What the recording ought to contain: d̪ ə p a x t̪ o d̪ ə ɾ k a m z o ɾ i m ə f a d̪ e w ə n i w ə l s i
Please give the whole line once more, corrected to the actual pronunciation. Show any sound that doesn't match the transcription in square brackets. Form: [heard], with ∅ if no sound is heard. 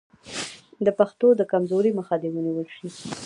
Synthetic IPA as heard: d̪ ə p a x t̪ o d̪ ə [∅] k a m z o ɾ i m ə [x] a d̪ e w ə n i w ə l [ʃ] i